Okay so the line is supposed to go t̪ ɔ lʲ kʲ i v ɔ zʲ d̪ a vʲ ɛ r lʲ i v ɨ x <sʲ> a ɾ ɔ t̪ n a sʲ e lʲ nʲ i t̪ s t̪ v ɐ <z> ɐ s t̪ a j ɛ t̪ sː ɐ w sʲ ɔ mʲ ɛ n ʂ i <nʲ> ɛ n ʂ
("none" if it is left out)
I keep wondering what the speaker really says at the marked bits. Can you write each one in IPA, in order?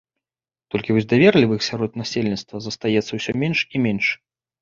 sʲ, z, mʲ

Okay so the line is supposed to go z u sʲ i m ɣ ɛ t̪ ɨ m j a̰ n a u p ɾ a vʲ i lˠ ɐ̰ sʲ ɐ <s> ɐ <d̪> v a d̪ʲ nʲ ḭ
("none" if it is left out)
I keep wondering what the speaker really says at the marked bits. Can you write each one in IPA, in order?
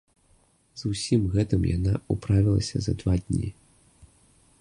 z, d̪

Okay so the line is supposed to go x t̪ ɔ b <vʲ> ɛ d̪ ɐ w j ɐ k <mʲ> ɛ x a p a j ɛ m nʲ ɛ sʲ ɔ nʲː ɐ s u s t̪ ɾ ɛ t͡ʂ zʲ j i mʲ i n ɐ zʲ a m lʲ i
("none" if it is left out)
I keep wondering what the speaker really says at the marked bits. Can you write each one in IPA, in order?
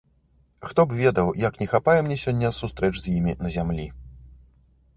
vʲ, nʲ

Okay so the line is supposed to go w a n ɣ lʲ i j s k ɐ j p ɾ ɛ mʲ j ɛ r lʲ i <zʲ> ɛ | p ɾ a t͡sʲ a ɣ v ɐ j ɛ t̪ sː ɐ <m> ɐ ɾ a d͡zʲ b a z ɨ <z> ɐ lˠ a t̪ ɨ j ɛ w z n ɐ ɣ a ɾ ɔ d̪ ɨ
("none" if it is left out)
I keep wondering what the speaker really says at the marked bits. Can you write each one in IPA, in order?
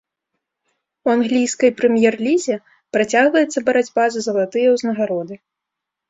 zʲ, b, z

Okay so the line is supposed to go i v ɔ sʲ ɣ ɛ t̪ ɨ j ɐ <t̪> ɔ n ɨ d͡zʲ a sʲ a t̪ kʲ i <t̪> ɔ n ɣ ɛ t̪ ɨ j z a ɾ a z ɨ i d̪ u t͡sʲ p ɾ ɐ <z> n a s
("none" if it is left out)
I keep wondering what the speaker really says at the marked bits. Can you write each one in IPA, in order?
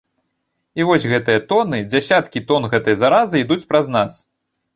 t̪, t̪, z

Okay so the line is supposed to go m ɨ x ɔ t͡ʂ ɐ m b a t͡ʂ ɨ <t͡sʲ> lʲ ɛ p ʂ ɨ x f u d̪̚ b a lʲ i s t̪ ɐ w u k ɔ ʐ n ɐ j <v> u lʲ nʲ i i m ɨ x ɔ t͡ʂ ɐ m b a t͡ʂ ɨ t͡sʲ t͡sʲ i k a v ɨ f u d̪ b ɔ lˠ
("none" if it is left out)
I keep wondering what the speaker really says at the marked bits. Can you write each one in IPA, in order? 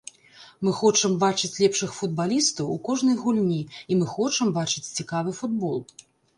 t͡sʲ, ɣ

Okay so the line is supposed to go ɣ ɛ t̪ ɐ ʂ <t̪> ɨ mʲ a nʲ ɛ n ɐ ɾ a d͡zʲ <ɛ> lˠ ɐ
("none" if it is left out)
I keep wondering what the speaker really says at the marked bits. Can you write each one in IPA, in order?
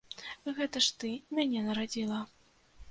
t̪, i

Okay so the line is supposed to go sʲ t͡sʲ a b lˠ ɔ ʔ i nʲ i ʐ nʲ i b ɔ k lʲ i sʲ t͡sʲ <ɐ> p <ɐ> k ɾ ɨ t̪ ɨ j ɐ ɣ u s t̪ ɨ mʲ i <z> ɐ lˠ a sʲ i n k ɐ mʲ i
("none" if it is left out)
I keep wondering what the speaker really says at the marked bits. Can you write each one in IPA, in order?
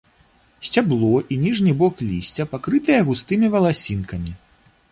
ɐ, a, v

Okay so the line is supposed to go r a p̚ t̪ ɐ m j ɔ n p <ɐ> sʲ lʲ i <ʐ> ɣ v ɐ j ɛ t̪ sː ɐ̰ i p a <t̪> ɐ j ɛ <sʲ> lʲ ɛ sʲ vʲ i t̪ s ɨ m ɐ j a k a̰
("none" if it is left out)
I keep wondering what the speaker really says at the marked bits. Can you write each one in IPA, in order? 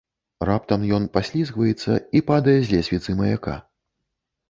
a, z, d̪, zʲ

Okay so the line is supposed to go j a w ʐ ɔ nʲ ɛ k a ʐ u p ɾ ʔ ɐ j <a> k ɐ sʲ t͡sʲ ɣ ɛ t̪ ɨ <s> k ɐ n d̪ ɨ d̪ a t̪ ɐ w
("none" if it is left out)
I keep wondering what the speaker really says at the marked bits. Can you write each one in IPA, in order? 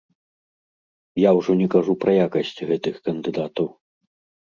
a, x

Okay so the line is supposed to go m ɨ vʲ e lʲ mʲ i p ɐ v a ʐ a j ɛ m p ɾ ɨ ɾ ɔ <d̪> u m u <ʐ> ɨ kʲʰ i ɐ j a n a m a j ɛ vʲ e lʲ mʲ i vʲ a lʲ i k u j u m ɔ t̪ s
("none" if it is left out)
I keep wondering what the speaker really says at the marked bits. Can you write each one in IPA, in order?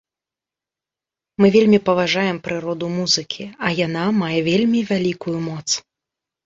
d̪, z

